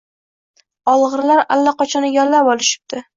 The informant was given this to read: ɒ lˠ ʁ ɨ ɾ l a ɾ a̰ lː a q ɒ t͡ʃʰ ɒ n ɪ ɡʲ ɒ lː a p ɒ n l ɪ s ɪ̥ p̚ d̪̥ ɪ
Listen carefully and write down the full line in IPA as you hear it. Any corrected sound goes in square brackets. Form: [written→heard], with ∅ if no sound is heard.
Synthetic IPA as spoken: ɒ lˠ ʁ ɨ ɾ l a ɾ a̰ lː a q ɒ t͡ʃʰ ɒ n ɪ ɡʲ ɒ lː a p ɒ [n→∅] l ɪ [s→ʃ] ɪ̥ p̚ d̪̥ ɪ